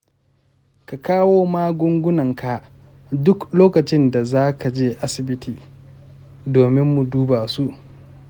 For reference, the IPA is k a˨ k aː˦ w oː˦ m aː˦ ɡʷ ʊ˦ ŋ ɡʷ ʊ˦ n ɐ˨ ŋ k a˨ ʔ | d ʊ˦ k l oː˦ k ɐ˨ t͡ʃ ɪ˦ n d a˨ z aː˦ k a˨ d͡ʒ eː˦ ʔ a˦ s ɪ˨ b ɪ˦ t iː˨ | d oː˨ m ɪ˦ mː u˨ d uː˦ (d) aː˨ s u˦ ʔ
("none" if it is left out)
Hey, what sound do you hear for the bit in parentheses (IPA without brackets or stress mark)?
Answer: b